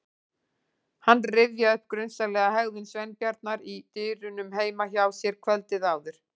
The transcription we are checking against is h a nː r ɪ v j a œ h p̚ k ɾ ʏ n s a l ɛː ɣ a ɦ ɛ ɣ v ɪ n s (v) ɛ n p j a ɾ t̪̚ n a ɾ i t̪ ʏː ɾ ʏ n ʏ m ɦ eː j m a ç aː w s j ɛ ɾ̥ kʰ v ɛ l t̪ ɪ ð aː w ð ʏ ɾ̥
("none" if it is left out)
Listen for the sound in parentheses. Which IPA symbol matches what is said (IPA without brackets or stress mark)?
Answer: v